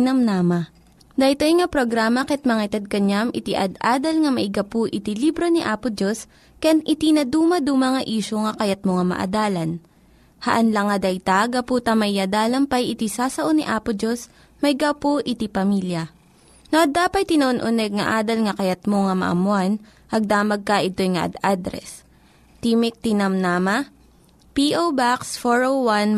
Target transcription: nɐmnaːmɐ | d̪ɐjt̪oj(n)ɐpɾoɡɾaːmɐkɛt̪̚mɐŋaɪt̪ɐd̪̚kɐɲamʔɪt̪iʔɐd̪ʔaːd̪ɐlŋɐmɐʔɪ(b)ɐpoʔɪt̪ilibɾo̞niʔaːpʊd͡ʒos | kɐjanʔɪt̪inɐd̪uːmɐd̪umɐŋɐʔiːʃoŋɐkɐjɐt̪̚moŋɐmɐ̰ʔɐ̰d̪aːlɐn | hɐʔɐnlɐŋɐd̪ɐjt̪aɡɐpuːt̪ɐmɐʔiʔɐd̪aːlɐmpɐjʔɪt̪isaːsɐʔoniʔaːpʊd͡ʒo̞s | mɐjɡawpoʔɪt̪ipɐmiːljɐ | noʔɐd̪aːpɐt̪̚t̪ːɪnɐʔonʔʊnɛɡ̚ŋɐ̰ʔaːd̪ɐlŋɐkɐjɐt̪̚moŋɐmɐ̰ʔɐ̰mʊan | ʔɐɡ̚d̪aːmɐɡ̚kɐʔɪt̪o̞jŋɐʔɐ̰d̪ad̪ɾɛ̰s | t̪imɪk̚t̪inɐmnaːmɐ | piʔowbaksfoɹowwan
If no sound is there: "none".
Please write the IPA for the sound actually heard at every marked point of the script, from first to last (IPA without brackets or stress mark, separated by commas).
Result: ŋ, ɡ